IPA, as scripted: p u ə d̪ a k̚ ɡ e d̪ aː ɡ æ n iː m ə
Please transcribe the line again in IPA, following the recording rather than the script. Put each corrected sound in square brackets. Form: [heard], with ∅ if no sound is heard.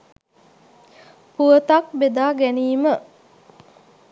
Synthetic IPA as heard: p u ə [t̪] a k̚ [b] e d̪ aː ɡ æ n iː m ə